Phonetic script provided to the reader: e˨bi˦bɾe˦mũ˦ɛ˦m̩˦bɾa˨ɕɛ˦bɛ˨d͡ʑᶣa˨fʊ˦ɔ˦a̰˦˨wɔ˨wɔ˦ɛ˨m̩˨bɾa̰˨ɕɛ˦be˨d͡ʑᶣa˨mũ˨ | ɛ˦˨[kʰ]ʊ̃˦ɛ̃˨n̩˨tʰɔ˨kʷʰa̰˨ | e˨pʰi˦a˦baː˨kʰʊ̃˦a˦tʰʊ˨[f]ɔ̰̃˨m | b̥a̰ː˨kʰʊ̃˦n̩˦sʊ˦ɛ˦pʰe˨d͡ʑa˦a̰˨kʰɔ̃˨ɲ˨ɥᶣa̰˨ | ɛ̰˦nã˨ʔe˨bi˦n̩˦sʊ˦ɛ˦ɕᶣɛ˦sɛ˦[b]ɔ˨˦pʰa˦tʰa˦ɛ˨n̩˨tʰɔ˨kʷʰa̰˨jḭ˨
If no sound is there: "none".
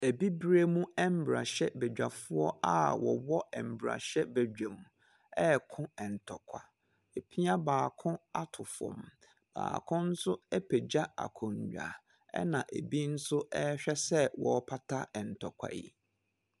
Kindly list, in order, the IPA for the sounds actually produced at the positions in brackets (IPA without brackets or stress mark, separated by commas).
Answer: kʰ, f, w